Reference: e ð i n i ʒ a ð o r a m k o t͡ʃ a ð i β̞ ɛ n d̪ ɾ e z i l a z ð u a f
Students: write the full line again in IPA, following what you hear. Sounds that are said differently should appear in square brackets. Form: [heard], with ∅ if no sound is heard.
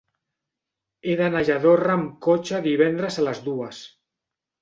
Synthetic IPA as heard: e ð [a] n [a] ʒ a ð o r a m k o t͡ʃ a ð i β̞ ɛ n d̪ ɾ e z [a] l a z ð u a [s]